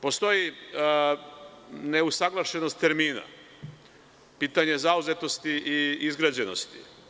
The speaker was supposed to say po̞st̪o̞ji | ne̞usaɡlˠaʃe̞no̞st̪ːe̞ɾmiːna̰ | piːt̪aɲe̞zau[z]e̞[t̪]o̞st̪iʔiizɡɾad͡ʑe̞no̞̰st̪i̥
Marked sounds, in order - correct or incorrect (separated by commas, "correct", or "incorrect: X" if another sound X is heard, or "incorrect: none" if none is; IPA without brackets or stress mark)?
correct, correct